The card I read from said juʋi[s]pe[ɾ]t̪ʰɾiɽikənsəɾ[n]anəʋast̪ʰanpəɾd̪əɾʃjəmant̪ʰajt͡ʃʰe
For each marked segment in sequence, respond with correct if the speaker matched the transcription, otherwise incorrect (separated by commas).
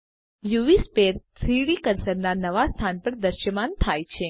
correct, correct, correct